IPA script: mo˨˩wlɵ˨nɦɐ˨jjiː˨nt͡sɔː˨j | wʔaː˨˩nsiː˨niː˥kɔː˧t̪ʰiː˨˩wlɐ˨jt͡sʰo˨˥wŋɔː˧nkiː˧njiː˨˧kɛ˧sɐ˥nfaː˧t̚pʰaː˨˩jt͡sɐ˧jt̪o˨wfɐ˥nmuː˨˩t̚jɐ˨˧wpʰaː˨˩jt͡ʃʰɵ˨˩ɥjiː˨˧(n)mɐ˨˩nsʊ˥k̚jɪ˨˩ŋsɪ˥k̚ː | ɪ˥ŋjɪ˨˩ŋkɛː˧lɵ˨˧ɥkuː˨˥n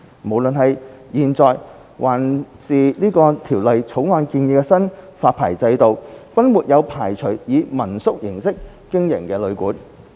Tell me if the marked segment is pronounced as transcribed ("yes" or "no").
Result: no